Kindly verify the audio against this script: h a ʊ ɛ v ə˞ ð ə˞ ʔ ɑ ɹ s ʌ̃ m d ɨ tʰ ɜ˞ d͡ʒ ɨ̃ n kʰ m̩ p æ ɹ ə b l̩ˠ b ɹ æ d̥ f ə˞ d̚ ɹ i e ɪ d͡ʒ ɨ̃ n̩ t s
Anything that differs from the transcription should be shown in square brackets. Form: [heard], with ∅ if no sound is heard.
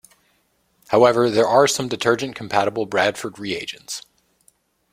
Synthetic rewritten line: h a ʊ ɛ v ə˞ ð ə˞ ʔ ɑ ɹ s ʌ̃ m d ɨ tʰ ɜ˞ d͡ʒ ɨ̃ n kʰ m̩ [pʰ] æ [ɾ] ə b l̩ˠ b ɹ æ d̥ f ə˞ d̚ ɹ i e ɪ d͡ʒ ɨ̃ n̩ t s